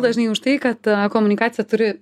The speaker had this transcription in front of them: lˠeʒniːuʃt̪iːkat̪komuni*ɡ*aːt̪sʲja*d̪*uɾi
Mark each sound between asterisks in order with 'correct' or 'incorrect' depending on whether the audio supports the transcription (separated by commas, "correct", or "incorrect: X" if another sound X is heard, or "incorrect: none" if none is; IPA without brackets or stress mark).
incorrect: k, incorrect: t̪